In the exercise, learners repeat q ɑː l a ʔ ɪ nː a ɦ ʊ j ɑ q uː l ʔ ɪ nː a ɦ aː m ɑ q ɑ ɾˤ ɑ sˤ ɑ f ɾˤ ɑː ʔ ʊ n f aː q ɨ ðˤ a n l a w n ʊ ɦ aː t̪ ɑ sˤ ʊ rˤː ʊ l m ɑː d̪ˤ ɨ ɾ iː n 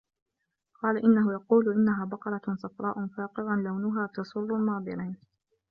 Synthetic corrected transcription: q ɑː l a ʔ ɪ nː a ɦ ʊ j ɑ q uː l ʔ ɪ nː a ɦ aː b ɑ q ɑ ɾˤ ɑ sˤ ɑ f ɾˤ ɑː ʔ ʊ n f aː q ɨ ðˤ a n l a w n ʊ ɦ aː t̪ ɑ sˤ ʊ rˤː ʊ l m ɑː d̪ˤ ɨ ɾ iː n